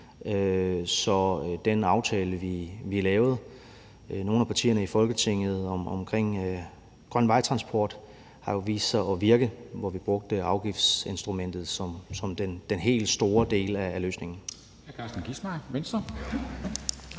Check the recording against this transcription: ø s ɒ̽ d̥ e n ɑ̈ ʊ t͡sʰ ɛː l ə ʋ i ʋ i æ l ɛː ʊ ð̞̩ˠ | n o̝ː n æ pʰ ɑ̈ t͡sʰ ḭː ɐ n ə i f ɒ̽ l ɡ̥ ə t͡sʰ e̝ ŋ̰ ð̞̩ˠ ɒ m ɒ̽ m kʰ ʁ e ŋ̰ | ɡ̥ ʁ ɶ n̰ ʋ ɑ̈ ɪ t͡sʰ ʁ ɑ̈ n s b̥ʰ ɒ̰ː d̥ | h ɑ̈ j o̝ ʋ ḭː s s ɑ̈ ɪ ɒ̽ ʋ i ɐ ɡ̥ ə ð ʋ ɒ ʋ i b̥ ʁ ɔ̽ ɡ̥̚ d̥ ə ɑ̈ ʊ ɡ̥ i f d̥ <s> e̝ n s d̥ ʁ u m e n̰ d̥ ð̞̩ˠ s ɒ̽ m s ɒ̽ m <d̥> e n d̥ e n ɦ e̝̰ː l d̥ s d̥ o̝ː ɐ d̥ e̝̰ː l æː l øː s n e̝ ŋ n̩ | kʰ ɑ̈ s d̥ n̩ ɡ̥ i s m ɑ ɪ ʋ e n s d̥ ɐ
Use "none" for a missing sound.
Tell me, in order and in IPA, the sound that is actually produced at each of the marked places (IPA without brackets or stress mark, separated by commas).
s, d̥